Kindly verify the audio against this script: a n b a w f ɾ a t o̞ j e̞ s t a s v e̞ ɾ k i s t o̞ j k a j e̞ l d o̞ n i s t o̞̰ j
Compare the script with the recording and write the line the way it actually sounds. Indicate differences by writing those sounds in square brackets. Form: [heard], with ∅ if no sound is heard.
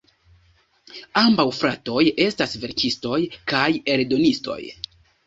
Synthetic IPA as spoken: a [m] b a w f ɾ a t o̞ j e̞ s t a s v e̞ ɾ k i s t o̞ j k a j e̞ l d o̞ n i s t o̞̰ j